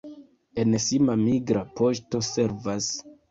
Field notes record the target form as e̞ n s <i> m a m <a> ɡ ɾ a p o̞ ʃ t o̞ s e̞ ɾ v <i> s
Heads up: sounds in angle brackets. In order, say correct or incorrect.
correct, incorrect: i, incorrect: a

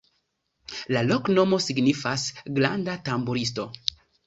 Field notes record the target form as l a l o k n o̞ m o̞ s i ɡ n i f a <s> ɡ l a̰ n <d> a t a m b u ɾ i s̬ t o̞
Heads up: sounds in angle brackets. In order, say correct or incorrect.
correct, correct

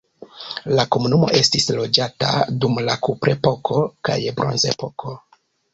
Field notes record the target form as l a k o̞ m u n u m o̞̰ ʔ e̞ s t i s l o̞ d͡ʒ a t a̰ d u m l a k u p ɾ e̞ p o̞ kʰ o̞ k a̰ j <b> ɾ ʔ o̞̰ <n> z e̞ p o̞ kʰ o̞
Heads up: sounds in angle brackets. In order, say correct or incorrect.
correct, correct

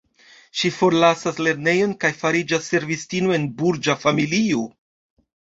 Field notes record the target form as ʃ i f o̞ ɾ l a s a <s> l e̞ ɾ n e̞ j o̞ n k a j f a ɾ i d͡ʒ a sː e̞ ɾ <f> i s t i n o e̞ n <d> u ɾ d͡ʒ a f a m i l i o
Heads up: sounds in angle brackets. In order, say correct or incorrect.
correct, incorrect: v, incorrect: b

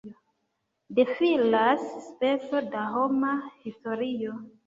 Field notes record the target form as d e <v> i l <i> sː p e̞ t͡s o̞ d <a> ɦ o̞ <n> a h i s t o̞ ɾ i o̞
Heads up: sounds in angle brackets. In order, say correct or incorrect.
incorrect: f, incorrect: a, correct, incorrect: m

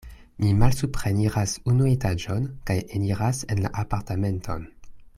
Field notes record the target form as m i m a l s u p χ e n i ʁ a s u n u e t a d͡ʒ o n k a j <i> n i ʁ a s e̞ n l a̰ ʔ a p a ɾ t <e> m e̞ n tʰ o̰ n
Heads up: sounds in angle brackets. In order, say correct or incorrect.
incorrect: e, incorrect: a

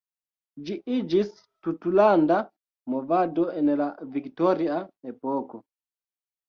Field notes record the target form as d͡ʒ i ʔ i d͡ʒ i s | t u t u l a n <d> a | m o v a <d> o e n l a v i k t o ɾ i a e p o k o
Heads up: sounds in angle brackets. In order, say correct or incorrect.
correct, correct

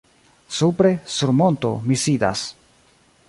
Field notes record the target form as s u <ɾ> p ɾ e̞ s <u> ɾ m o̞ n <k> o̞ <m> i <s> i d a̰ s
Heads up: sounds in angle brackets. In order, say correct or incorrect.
incorrect: none, correct, incorrect: t, correct, correct

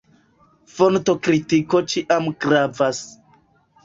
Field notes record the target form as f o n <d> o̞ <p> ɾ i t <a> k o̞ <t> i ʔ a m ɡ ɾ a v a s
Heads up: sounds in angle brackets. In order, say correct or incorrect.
incorrect: t, incorrect: k, incorrect: i, incorrect: t͡ʃ

